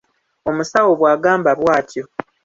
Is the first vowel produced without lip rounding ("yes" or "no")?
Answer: no